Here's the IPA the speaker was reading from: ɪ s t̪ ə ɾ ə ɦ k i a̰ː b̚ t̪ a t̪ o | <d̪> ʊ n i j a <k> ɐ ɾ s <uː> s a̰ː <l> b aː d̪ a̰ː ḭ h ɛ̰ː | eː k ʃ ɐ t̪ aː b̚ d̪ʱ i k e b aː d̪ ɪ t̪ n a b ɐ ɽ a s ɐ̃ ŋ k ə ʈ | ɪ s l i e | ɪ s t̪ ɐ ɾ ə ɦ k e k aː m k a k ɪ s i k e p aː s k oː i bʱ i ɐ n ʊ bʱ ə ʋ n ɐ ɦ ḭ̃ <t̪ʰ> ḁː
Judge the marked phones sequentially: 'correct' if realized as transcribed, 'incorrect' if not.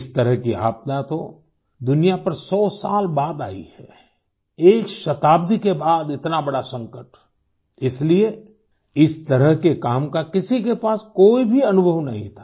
correct, incorrect, incorrect, correct, correct

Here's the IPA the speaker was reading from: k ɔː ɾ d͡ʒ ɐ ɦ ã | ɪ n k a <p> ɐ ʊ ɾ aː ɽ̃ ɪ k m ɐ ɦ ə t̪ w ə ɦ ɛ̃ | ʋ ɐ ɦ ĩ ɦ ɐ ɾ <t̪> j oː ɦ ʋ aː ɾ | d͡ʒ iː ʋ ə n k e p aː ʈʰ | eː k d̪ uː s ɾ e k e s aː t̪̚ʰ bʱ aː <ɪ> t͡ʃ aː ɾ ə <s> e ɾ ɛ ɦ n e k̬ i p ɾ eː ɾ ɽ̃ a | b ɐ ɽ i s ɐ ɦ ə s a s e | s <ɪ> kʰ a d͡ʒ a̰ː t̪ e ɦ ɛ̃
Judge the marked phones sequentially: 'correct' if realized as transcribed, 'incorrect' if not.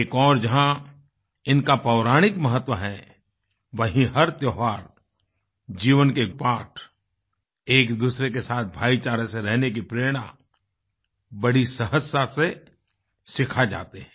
correct, correct, incorrect, correct, correct

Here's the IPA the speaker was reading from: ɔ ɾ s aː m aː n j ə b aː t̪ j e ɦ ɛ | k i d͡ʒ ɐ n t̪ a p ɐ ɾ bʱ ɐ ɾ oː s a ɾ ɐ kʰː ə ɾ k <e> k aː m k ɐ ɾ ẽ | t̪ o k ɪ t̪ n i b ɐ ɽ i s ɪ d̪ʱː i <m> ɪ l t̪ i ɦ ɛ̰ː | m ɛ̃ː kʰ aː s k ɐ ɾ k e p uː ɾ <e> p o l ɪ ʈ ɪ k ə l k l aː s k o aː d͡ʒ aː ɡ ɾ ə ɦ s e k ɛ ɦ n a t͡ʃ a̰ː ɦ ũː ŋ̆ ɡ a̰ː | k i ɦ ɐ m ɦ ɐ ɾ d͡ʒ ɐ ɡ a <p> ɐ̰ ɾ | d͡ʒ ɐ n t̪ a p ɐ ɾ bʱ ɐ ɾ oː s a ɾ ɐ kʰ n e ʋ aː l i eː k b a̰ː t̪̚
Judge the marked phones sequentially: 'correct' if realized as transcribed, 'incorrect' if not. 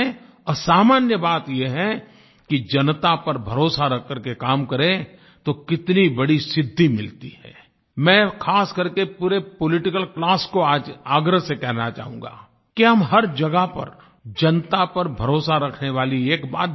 correct, correct, correct, correct

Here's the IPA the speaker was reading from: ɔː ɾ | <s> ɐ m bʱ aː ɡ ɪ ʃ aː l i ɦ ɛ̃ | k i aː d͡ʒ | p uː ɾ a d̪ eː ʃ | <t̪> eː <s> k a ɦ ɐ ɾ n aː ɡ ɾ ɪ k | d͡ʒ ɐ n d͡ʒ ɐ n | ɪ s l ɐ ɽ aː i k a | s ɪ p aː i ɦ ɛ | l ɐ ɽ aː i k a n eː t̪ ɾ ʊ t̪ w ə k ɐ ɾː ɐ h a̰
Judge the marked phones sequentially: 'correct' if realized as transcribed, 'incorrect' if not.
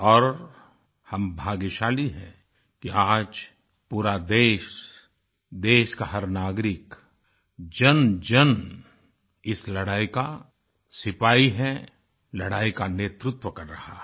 incorrect, incorrect, incorrect

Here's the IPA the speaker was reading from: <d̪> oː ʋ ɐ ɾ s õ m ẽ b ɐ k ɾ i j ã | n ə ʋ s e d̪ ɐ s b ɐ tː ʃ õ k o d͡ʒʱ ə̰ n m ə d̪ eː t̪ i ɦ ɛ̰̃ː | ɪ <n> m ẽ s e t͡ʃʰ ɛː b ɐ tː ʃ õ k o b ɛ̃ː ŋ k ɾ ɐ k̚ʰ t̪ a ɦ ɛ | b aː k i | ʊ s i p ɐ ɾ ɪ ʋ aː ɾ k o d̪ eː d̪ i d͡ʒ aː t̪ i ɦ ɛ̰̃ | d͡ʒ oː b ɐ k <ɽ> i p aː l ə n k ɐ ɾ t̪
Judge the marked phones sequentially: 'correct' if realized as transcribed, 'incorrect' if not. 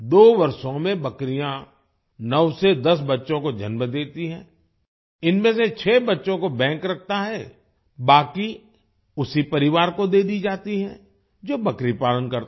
correct, correct, incorrect

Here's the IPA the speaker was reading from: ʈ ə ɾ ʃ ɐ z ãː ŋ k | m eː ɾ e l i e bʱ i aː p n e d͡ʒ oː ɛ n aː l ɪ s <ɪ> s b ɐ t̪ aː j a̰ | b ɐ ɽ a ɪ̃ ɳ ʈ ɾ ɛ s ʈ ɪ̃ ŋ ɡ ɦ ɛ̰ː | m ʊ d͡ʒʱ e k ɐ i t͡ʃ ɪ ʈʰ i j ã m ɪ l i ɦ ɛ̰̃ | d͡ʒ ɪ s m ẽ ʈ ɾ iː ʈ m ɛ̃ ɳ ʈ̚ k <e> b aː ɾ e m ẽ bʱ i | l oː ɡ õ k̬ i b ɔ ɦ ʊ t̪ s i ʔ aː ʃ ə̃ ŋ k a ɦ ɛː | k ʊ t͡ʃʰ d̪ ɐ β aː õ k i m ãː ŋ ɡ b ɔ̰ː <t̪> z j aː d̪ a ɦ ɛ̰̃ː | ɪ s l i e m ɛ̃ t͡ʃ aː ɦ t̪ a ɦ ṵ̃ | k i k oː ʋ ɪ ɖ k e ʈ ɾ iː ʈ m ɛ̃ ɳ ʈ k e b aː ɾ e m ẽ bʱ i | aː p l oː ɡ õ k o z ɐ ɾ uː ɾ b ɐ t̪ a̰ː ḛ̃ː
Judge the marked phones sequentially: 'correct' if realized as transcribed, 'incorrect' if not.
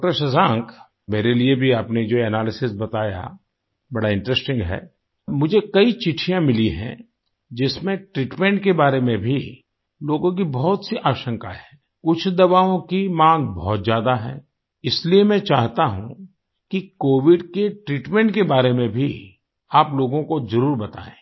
correct, correct, correct

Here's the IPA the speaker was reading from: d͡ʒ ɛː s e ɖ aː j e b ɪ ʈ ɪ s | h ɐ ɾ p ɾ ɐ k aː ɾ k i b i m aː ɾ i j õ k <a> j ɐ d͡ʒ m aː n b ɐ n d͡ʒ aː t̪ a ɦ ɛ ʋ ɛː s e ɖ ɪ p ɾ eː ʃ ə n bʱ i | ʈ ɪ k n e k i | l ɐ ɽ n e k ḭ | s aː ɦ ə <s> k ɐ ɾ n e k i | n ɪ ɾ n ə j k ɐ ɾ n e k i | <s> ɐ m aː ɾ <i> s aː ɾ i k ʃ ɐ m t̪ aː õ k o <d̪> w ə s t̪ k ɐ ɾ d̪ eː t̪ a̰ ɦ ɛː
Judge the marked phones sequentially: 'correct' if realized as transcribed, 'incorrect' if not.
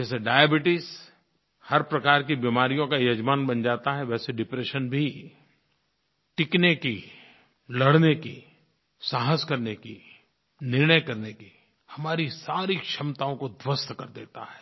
correct, correct, incorrect, correct, correct

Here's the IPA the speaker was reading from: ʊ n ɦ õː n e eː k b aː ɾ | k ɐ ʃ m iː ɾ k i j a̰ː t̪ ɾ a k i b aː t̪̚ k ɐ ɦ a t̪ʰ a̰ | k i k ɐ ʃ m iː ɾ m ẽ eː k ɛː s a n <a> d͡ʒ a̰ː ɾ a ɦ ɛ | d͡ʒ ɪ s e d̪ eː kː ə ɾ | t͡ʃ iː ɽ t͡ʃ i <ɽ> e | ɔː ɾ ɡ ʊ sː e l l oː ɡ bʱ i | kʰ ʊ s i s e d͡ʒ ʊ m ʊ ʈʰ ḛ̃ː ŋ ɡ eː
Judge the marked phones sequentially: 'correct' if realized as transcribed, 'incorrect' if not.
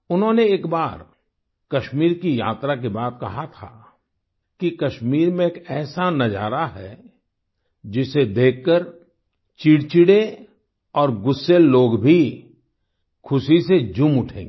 incorrect, correct

